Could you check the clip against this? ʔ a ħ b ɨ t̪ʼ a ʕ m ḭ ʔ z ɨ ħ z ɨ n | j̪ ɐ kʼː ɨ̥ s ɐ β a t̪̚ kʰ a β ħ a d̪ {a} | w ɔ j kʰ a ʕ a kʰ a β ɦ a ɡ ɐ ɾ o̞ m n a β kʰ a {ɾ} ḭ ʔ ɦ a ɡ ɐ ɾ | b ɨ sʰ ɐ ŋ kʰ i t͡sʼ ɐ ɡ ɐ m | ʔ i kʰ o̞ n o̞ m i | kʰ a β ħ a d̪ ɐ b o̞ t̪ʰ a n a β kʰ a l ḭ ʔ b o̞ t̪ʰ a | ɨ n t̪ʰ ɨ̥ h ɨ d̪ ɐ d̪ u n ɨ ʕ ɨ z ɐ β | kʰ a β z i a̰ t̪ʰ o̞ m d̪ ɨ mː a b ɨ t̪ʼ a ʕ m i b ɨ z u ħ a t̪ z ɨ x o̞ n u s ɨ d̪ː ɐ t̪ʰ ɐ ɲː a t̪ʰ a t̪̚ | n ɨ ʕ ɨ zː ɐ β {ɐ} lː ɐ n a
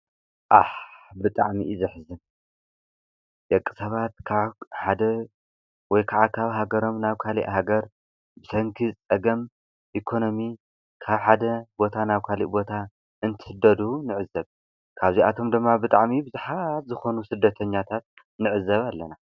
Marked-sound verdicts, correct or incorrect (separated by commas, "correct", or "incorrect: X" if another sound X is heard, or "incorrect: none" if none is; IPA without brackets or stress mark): incorrect: ɐ, incorrect: l, incorrect: a